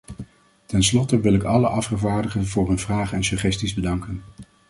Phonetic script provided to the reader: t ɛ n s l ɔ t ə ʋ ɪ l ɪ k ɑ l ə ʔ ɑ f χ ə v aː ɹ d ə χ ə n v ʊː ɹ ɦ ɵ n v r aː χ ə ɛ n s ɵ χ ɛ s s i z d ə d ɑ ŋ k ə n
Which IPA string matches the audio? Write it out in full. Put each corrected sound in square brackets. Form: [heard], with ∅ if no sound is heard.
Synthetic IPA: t ɛ n s l ɔ t ə ʋ ɪ l ɪ k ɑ l ə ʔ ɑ f χ ə v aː ɹ d ə χ ə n v ʊː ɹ ɦ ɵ n v r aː χ ə ɛ n s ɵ χ ɛ s [t] i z [b] ə d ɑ ŋ k ə n